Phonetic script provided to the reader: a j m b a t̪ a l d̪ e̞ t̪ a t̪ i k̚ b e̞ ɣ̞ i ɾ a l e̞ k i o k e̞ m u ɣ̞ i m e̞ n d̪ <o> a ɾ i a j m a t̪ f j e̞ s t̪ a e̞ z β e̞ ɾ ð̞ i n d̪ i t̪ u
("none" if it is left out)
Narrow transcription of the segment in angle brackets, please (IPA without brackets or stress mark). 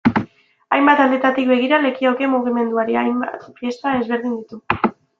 u